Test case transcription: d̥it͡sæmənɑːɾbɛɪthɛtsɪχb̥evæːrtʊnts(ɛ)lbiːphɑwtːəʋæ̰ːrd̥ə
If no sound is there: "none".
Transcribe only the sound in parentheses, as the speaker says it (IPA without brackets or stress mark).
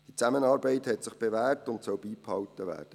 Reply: œ